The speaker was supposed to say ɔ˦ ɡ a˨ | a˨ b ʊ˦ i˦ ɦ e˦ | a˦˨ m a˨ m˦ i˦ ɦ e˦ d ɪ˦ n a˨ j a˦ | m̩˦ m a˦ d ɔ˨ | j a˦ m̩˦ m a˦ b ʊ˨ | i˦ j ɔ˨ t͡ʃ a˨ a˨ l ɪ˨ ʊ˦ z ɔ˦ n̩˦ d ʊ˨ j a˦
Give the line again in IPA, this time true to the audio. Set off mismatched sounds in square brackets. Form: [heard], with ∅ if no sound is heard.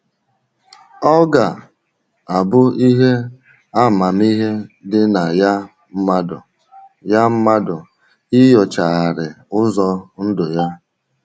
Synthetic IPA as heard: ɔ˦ ɡ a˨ | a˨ b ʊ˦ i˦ ɦ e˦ | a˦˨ m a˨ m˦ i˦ ɦ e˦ d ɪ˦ n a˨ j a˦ | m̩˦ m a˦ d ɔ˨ | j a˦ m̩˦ m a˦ [d] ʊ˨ | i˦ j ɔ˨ t͡ʃ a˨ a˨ [ɾ] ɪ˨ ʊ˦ z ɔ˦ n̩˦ d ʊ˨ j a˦